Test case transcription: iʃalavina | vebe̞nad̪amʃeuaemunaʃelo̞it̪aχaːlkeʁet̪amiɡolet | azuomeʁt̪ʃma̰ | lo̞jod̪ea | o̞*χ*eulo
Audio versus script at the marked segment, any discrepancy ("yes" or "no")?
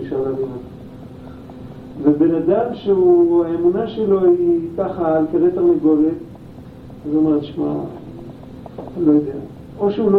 yes